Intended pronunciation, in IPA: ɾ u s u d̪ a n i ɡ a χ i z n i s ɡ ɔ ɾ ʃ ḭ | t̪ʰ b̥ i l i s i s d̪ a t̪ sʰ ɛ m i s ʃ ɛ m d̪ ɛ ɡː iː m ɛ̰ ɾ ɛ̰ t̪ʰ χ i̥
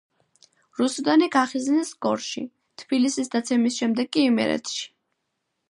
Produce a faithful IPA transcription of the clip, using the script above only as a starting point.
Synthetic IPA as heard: ɾ u s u d̪ a n i ɡ a χ i z n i s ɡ ɔ ɾ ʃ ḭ | t̪ʰ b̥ i l i s i s d̪ a t̪ sʰ ɛ m i s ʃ ɛ m d̪ ɛ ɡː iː m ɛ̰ ɾ ɛ̰ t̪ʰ ʃ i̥